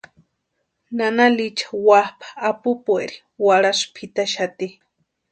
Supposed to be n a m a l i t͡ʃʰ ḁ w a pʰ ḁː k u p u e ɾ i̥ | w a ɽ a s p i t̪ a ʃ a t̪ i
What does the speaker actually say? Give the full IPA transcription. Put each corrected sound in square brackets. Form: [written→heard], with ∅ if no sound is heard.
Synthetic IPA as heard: n a [m→n] a l i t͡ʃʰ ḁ w a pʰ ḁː [k→p] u p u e ɾ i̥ | w a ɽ a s [p→pʰ] i t̪ a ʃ a t̪ i